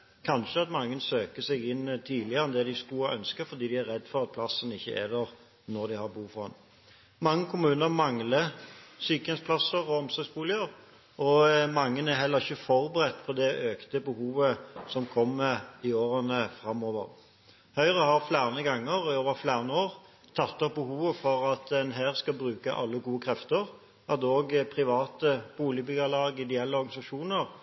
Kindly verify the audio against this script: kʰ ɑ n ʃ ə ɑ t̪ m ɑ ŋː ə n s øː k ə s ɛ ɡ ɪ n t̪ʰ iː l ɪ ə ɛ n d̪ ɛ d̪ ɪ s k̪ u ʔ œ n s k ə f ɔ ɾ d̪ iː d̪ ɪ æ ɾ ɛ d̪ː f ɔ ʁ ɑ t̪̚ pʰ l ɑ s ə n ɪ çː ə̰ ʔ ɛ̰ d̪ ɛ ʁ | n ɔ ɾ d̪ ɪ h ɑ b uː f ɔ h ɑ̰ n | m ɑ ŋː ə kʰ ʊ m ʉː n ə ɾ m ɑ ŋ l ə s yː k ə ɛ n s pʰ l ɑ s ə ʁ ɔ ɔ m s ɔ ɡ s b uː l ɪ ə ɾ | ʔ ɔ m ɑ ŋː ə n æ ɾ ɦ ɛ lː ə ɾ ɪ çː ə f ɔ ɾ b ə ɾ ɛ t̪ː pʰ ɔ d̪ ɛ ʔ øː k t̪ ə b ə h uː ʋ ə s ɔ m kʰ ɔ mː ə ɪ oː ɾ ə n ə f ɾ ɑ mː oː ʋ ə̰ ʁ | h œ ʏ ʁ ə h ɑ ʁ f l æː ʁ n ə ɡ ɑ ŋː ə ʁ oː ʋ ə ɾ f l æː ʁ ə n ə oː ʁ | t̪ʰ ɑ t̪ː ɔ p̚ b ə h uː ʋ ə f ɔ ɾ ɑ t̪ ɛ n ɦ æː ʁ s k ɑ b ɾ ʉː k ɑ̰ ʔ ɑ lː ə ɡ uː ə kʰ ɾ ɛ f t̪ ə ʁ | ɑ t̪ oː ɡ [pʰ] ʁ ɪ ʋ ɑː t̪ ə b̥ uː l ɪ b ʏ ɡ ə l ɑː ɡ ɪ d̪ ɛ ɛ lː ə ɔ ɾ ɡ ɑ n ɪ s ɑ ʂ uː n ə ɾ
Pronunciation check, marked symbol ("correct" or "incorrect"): correct